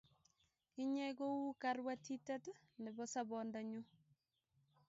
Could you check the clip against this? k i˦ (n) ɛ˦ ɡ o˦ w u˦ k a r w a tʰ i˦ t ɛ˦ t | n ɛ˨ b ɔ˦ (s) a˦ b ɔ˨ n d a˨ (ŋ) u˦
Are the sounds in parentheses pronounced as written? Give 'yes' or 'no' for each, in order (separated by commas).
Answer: no, yes, no